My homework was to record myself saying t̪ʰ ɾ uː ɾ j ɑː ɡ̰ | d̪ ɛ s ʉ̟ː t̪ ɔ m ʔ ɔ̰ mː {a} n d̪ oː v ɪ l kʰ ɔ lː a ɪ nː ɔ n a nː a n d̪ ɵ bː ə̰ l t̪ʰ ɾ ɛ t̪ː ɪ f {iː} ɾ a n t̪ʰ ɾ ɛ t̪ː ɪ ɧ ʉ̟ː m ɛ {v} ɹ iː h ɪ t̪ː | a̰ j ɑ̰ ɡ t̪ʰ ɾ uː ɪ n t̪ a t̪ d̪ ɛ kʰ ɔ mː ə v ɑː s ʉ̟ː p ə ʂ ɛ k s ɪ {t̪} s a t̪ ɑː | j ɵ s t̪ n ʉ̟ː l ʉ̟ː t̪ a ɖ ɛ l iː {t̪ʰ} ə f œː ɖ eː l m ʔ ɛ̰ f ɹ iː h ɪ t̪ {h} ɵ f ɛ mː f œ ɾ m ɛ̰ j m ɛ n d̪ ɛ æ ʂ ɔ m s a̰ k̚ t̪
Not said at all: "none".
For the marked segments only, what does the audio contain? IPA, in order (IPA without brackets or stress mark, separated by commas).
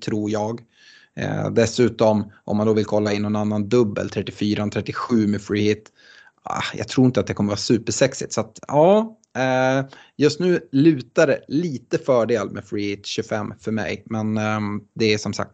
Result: a, yː, f, t̪, t̪, ɕ